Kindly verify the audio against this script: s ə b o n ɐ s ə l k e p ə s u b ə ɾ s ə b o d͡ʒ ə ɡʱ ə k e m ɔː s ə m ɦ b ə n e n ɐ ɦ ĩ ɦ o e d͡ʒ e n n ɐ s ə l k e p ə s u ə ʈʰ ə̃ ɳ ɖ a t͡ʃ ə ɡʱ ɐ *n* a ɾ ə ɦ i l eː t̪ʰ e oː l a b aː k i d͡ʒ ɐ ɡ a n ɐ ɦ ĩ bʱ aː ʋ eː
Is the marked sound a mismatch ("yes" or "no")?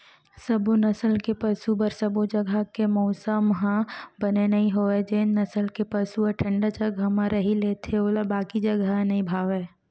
yes